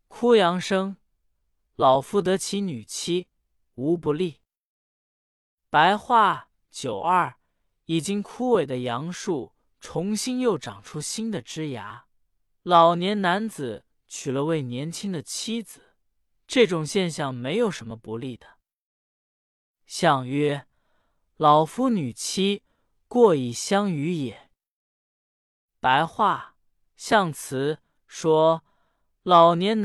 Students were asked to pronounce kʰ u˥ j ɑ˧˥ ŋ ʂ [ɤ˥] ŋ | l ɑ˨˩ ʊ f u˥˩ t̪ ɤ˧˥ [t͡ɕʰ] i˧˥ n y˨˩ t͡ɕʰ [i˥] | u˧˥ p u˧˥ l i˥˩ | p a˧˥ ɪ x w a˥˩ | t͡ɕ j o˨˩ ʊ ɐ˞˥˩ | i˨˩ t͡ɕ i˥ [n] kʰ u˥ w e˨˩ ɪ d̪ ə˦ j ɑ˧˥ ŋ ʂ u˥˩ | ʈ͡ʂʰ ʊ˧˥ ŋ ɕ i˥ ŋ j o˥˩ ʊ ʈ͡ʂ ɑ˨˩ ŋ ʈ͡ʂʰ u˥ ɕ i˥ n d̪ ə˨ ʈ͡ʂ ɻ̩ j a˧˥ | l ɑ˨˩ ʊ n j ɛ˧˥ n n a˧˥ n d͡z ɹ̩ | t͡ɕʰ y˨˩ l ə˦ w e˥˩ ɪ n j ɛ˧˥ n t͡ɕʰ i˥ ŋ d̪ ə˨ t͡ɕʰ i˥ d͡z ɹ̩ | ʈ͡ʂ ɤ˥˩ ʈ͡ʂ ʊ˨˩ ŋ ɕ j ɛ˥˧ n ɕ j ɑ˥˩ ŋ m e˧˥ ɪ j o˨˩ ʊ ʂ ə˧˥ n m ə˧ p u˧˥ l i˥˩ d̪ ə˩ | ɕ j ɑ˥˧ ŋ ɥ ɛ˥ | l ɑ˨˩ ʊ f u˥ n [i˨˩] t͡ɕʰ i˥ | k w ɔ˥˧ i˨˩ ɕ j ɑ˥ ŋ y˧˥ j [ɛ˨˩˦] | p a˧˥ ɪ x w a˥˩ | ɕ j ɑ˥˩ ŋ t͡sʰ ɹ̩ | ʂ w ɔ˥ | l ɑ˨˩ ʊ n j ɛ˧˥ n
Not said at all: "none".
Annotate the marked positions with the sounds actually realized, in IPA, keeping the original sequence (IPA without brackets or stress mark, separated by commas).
ɤ˥, t͡ɕʰ, i˥, ŋ, y˨˩, ɛ˨˩˦